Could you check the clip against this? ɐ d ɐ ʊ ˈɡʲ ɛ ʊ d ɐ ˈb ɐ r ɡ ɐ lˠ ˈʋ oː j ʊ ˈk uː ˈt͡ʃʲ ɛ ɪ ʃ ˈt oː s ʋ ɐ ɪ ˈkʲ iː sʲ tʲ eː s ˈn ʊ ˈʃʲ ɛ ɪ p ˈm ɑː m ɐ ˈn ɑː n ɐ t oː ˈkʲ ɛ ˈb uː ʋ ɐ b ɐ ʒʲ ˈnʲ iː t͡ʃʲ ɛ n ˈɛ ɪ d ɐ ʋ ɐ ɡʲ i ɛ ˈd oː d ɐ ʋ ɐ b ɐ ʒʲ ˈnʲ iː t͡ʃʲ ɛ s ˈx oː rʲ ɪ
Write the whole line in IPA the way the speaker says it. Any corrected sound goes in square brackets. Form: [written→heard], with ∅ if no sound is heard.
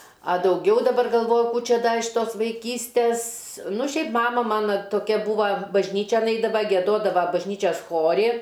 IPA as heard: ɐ d ɐ ʊ ˈɡʲ ɛ ʊ d ɐ ˈb ɐ r ɡ ɐ lˠ ˈʋ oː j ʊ ˈk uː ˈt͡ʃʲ ɛ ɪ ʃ ˈt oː s ʋ ɐ ɪ ˈkʲ iː sʲ tʲ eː s ˈn ʊ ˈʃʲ ɛ ɪ p ˈm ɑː m ɐ [ˈn→ˈm] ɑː n ɐ t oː ˈkʲ ɛ ˈb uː ʋ ɐ b ɐ ʒʲ ˈnʲ iː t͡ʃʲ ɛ n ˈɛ ɪ d ɐ ʋ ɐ ɡʲ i ɛ ˈd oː d ɐ ʋ ɐ b ɐ ʒʲ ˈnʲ iː t͡ʃʲ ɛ s ˈx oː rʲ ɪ